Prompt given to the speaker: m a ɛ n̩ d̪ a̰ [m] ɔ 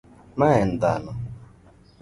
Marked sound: incorrect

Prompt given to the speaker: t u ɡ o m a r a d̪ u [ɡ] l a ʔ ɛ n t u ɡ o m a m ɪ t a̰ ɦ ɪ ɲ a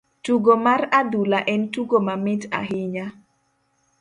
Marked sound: incorrect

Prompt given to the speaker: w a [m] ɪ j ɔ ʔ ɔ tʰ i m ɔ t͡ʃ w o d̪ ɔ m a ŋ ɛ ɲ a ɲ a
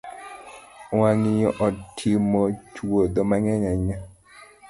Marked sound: incorrect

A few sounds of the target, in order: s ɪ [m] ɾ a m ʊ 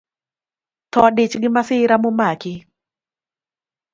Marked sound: incorrect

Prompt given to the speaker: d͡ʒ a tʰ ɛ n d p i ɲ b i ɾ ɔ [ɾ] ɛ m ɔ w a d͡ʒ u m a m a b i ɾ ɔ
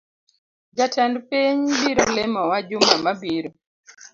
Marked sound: incorrect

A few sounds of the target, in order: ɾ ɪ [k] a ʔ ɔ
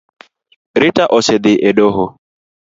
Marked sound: incorrect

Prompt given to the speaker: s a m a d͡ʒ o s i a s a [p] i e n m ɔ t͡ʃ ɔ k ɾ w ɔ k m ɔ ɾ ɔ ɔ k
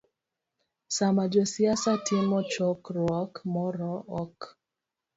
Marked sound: incorrect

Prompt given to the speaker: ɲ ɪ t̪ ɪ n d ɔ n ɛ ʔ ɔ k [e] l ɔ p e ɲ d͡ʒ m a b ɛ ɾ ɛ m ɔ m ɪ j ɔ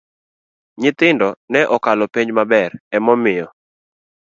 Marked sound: incorrect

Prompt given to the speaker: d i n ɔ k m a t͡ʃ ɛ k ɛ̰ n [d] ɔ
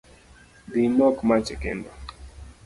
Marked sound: correct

